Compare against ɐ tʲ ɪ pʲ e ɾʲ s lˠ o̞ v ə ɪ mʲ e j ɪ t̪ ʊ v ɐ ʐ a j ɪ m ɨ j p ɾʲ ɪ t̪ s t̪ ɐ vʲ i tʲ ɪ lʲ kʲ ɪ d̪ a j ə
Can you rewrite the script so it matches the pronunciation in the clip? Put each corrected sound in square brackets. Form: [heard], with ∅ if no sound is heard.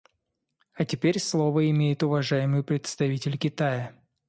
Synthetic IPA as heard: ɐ tʲ ɪ pʲ e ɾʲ s lˠ o̞ v ə ɪ mʲ e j ɪ t̪ ʊ v ɐ ʐ a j ɪ m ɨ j p ɾʲ ɪ t̪ s t̪ ɐ vʲ i tʲ ɪ lʲ kʲ ɪ [t̪] a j ə